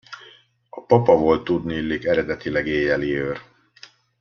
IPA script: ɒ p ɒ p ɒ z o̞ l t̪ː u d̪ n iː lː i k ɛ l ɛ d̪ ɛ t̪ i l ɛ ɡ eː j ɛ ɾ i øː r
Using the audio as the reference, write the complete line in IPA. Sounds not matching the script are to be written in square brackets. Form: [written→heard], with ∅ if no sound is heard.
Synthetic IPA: ɒ p ɒ p ɒ [z→v] o̞ l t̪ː u d̪ n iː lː i k ɛ [l→ɾ] ɛ d̪ ɛ t̪ i l ɛ ɡ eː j ɛ [ɾ→l] i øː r